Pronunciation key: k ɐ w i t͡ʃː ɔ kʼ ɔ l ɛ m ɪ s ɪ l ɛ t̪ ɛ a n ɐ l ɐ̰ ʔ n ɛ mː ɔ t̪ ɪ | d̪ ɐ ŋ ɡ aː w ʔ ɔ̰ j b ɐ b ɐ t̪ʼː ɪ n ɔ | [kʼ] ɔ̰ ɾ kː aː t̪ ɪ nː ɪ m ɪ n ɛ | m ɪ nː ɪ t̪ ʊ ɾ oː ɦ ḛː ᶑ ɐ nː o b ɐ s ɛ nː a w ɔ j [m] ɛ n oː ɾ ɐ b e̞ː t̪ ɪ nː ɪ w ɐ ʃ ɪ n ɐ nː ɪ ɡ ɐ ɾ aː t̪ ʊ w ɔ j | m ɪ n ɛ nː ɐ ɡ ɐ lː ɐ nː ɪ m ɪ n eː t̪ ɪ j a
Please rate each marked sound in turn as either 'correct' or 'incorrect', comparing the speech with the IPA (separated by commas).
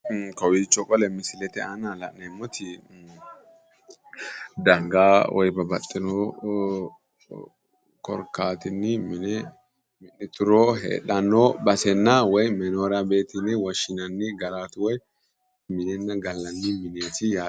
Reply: incorrect, correct